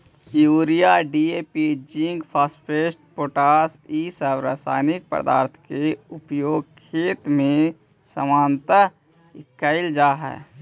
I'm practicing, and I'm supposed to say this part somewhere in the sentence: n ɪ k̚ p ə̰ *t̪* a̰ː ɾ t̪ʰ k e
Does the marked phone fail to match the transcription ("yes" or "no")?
yes